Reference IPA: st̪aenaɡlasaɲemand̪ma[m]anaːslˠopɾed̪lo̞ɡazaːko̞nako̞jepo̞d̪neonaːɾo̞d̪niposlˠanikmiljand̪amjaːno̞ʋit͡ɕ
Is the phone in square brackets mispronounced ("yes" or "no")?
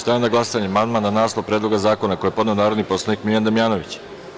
yes